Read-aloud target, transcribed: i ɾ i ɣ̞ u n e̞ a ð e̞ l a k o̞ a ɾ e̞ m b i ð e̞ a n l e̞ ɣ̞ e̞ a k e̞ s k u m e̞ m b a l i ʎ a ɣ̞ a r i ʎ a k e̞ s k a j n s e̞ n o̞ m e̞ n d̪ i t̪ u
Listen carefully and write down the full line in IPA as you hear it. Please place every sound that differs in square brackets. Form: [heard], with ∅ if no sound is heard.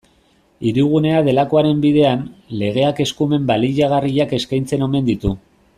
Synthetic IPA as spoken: i ɾ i ɣ̞ u n e̞ a ð e̞ l a k o̞ a ɾ e̞ m b i ð e̞ a n l e̞ ɣ̞ e̞ a k e̞ s k u m e̞ m b a l i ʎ a ɣ̞ a r i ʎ a k e̞ s k a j n [t͡s] e̞ n o̞ m e̞ n d̪ i t̪ u